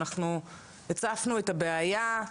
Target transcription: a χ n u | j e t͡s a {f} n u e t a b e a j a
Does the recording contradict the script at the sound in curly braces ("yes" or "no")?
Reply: no